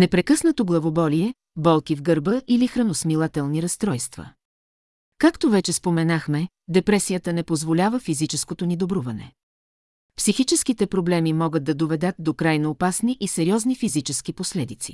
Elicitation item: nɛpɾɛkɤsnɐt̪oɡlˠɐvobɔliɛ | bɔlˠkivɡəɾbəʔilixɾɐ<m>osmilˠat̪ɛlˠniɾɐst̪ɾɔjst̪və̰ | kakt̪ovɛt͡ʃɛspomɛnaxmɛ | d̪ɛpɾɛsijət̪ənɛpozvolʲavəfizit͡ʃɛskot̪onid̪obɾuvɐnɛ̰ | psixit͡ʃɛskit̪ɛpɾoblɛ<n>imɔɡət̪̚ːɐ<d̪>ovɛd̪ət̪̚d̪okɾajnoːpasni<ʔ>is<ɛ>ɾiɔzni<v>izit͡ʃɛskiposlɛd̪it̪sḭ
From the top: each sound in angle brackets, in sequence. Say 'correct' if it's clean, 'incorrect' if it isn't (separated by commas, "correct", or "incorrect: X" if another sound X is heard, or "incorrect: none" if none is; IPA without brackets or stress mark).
incorrect: n, incorrect: m, correct, correct, correct, incorrect: f